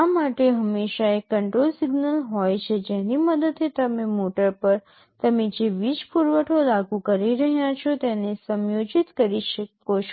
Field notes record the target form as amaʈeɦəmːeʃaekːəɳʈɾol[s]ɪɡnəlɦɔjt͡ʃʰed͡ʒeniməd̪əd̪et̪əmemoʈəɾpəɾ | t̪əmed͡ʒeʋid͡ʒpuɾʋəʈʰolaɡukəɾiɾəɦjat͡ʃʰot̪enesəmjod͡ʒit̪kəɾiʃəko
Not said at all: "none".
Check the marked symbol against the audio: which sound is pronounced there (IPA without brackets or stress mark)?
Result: s